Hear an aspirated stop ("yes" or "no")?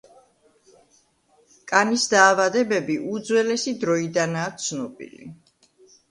no